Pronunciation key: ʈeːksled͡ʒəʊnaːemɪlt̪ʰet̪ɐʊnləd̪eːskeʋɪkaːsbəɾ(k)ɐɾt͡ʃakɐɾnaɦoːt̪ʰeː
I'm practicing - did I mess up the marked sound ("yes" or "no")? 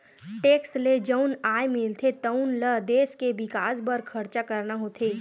yes